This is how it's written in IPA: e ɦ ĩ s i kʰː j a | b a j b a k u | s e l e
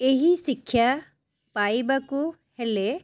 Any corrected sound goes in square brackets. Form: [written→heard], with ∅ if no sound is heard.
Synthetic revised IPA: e ɦ [ĩ→i] s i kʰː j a | [b→p] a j b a k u | [s→h] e l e